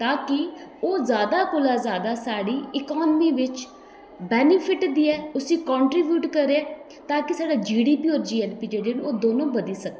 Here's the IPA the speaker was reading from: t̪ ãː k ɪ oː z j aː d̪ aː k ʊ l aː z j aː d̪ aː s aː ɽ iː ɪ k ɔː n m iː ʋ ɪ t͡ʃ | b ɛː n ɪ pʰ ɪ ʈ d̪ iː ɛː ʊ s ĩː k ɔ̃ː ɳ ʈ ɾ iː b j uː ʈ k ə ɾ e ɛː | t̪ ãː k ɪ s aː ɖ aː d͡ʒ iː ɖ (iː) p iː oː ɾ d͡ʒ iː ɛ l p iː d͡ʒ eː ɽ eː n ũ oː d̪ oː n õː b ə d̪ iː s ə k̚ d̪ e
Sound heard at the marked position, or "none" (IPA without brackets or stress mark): iː